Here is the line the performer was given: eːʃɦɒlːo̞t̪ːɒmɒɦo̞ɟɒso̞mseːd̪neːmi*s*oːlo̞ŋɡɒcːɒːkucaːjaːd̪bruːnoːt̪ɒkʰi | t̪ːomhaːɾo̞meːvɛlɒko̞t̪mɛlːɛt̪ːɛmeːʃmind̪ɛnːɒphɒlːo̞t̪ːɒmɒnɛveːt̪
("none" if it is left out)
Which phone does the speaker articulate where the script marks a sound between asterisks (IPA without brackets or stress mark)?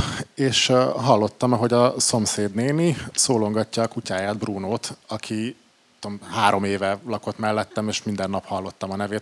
s